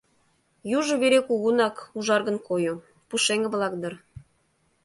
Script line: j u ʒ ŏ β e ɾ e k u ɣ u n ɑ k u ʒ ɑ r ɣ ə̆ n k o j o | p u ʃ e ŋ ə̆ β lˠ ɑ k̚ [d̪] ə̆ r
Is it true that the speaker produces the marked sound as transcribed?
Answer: yes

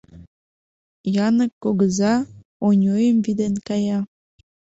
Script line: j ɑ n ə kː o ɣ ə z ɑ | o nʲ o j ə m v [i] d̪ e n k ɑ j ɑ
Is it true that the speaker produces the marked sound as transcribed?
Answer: yes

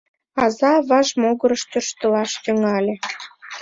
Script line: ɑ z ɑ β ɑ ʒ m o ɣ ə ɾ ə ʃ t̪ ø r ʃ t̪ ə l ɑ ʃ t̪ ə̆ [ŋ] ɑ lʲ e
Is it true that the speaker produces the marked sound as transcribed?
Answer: yes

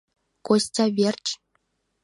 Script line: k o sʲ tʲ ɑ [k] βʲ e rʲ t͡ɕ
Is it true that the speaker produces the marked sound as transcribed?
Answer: no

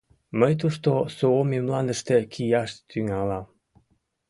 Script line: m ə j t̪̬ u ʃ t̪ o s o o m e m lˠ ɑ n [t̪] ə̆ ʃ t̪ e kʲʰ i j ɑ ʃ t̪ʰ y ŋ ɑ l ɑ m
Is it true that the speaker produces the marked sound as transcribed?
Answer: no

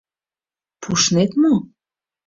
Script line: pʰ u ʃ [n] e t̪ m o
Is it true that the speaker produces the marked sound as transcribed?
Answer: yes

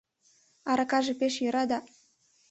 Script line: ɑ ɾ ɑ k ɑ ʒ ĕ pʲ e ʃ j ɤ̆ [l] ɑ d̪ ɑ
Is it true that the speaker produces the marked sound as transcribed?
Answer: no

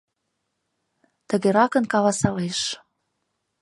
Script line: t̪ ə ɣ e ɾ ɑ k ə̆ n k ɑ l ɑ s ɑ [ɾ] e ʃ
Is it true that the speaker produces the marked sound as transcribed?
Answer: no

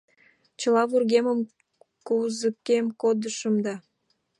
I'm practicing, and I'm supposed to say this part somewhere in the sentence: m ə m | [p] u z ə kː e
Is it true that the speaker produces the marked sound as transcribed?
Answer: no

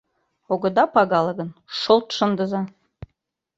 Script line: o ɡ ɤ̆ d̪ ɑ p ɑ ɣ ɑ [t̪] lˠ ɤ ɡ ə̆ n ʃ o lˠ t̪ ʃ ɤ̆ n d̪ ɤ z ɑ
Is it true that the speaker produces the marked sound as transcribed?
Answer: no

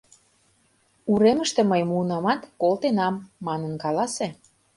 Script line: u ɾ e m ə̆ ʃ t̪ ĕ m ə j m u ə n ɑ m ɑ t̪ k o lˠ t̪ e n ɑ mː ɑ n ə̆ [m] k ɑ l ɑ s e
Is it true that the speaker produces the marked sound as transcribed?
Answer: no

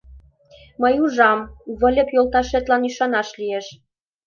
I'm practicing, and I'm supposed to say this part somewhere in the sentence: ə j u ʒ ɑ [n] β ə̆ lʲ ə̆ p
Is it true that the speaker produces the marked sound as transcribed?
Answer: no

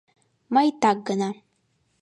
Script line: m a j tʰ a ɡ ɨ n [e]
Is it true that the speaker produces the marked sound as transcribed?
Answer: no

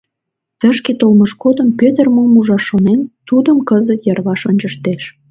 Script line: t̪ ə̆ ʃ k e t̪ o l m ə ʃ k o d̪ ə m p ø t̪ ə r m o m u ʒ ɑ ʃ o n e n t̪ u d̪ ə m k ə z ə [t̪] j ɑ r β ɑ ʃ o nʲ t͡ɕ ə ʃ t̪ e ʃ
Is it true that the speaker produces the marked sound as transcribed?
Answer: yes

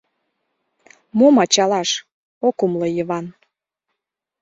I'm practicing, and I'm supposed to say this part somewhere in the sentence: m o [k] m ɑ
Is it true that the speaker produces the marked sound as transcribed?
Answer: no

